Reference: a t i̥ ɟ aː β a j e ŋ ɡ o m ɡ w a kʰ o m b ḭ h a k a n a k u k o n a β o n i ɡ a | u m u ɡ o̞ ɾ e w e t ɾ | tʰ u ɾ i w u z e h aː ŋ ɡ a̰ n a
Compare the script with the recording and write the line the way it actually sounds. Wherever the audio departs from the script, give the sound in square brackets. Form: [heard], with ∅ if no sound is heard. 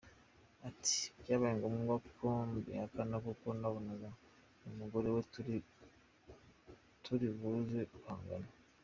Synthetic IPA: a t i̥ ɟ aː β a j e ŋ ɡ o m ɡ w a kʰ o m b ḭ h a k a n a k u k o n a β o n [a] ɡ a | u m u ɡ o̞ ɾ e w e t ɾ | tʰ u ɾ i [β] u z e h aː ŋ ɡ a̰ n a